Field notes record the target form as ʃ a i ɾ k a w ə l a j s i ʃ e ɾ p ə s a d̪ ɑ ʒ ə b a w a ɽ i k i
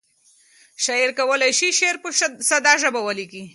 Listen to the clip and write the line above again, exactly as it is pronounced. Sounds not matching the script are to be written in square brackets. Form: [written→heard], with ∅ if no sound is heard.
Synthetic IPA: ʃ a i ɾ k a w ə l a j [s→ʃ] i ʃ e ɾ p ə s a d̪ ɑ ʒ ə b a w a [ɽ→l] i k i